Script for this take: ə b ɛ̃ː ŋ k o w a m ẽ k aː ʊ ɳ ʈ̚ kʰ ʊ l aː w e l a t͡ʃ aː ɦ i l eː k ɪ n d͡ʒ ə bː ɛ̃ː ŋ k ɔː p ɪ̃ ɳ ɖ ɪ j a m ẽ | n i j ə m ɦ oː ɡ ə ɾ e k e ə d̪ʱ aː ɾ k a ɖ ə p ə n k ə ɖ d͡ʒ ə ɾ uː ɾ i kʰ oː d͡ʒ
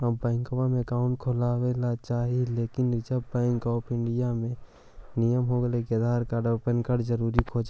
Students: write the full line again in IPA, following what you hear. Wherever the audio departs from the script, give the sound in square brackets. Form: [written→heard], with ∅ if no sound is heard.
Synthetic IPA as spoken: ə b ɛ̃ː ŋ k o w a m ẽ k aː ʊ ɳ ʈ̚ kʰ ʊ l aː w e l a t͡ʃ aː ɦ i l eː k ɪ n d͡ʒ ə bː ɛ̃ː ŋ k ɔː p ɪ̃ ɳ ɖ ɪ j a m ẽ | n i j ə m ɦ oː ɡ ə [ɾ→l] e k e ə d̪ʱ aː ɾ k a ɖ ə p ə n k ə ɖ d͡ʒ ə ɾ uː ɾ i kʰ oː d͡ʒ